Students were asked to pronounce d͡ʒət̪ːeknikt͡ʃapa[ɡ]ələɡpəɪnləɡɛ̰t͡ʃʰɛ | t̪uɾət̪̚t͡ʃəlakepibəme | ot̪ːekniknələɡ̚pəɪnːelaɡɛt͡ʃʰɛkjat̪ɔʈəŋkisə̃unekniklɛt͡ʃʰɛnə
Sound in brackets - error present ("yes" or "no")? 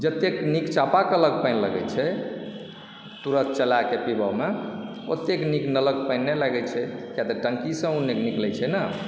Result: yes